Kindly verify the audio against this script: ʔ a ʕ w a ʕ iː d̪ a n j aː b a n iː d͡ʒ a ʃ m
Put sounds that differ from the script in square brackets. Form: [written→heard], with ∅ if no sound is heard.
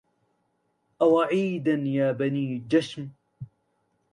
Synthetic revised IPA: ʔ a [ʕ→∅] w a ʕ iː d̪ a n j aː b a n iː d͡ʒ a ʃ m

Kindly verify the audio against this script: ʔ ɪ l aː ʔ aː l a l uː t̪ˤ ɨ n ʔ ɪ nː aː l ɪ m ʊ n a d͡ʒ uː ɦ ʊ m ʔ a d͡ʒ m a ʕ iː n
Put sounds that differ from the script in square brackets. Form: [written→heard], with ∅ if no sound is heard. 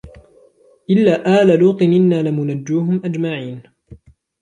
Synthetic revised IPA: ʔ ɪ [l→lː] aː ʔ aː l a l uː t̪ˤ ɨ n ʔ ɪ nː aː l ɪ m ʊ n a [d͡ʒ→d͡ʒː] uː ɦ ʊ m ʔ a d͡ʒ m a ʕ iː n

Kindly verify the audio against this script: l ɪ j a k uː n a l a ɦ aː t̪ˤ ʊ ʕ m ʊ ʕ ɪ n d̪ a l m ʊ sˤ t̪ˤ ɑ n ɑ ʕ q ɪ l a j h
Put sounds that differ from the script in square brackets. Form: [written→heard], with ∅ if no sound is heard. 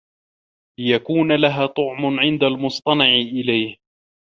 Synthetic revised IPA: l ɪ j a k uː n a l a ɦ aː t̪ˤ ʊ ʕ m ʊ ʕ ɪ n d̪ a l m ʊ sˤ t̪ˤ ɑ n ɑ ʕ [q→ʔ] ɪ l a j h

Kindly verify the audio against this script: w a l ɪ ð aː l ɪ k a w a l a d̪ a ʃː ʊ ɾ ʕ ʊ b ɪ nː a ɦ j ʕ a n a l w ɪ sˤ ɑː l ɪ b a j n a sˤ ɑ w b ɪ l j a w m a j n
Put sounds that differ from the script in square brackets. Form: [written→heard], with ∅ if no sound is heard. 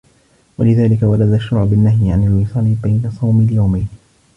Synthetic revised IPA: w a l ɪ ð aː l ɪ k a w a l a d̪ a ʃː ʊ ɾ ʕ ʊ b ɪ nː a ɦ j ʕ a n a l w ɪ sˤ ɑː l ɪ b a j n a sˤ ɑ w [b→m] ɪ l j a w m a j n

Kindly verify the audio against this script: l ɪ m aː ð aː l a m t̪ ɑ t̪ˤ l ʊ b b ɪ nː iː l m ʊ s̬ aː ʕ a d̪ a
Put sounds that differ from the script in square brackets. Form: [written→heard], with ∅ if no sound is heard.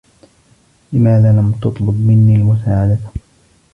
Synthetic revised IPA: l ɪ m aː ð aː l a m t̪ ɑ t̪ˤ l ʊ b [b→m] ɪ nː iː l m ʊ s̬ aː ʕ a d̪ a

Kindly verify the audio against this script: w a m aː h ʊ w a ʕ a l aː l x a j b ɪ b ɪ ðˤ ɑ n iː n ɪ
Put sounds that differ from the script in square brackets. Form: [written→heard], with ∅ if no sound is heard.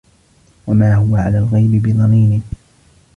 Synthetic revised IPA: w a m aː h ʊ w a ʕ a l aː l [x→ɣ] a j b ɪ b ɪ ðˤ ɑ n iː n ɪ

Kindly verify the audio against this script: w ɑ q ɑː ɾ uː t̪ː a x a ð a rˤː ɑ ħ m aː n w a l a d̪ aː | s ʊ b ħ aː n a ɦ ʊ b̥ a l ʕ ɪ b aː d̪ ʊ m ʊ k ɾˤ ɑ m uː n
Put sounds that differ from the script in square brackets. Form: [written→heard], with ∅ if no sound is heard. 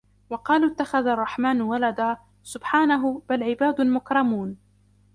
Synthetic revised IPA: w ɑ q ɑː [ɾ→l] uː t̪ː a x a ð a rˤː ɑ ħ m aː n w a l a d̪ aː | s ʊ b ħ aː n a ɦ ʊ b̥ a l ʕ ɪ b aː d̪ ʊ m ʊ k ɾˤ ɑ m uː n

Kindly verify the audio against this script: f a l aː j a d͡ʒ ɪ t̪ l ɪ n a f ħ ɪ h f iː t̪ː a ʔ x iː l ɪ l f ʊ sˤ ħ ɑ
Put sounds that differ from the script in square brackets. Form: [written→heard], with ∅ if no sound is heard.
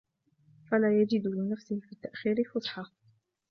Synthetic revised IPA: f a l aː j a d͡ʒ ɪ [t̪→d̪] l ɪ n a f [ħ→s] ɪ h f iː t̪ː a ʔ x iː [l→ɾ] ɪ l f ʊ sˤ ħ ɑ

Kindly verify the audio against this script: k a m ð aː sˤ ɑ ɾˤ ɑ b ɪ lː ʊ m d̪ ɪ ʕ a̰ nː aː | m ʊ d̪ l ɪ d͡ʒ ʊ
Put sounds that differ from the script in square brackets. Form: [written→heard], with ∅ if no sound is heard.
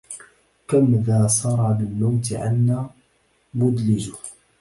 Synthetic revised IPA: k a m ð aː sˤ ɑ ɾˤ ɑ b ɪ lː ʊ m [d̪→t̪] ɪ ʕ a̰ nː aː | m ʊ d̪ l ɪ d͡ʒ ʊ

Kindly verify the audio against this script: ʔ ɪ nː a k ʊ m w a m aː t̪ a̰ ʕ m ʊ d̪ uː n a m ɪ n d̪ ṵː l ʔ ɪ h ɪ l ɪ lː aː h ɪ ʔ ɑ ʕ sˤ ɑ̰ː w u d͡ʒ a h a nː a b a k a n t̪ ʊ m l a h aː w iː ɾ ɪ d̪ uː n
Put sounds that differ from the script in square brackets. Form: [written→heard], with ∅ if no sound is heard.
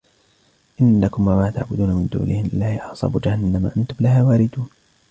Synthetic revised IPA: ʔ ɪ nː a k ʊ m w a m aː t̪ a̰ ʕ [m→b] ʊ d̪ uː n a m ɪ n d̪ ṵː l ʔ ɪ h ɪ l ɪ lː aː h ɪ ʔ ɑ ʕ sˤ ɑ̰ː [w→b] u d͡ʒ a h a nː a [b→m] a [k→ʔ] a n t̪ ʊ m l a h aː w [iː→aː] ɾ ɪ d̪ uː n

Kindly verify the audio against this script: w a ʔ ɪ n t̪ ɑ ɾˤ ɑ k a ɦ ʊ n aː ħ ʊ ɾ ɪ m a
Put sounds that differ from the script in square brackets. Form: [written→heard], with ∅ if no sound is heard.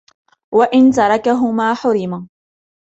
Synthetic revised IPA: w a ʔ ɪ n t̪ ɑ ɾˤ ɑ k a ɦ ʊ [n→m] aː ħ ʊ ɾ ɪ m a

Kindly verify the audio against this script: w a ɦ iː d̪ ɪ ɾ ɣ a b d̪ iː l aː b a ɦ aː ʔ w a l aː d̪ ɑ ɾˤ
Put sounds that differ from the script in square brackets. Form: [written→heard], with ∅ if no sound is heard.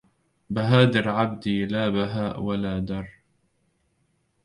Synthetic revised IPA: [w→b] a ɦ [iː→aː] d̪ ɪ ɾ [ɣ→ʕ] a b d̪ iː l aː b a ɦ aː ʔ w a l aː d̪ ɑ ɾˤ

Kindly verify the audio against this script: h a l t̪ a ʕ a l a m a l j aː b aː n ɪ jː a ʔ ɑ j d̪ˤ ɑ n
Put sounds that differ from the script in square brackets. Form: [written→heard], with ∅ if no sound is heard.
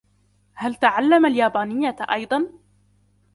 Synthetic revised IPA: h a l t̪ a ʕ a [l→lː] a m a l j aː b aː n ɪ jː a ʔ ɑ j d̪ˤ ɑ n

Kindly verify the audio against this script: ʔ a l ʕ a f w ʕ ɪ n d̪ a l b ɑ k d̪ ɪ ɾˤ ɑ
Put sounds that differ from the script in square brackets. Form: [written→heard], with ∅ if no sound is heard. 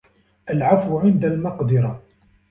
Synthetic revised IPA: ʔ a l ʕ a f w ʕ ɪ n d̪ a l [b→m] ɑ [k→q] d̪ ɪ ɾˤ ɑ

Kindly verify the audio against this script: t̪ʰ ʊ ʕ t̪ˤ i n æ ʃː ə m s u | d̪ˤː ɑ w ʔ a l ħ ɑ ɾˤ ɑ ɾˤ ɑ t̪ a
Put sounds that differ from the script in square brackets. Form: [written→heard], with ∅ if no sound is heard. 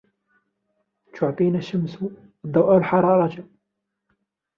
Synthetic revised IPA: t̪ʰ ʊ ʕ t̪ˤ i n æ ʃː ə m s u | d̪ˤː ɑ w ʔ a l ħ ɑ ɾˤ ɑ ɾˤ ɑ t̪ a

